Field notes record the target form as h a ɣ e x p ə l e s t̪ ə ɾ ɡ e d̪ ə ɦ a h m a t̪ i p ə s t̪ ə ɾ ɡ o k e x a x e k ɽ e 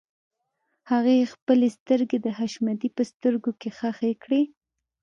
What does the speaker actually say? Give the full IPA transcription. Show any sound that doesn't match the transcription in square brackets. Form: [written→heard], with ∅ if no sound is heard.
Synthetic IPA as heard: h a ɣ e x p ə l e s t̪ ə ɾ ɡ e d̪ ə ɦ a [h→ʃ] m a [t̪→d̪] i p ə s t̪ ə ɾ ɡ o k e x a x e k ɽ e